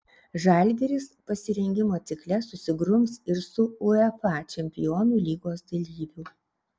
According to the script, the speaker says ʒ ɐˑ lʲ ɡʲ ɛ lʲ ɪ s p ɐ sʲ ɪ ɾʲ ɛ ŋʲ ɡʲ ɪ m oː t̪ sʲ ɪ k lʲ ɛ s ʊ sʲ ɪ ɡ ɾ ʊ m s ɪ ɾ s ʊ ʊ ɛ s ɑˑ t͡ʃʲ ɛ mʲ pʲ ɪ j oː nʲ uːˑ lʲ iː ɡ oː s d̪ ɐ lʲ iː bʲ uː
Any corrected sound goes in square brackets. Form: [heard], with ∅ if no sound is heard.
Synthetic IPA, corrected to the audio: ʒ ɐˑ lʲ ɡʲ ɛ [ɾʲ] ɪ s p ɐ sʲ ɪ ɾʲ ɛ ŋʲ ɡʲ ɪ m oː t̪ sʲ ɪ k lʲ ɛ s ʊ sʲ ɪ ɡ ɾ ʊ m s ɪ ɾ s ʊ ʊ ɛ [f] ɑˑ t͡ʃʲ ɛ mʲ pʲ ɪ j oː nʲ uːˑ lʲ iː ɡ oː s d̪ ɐ lʲ iː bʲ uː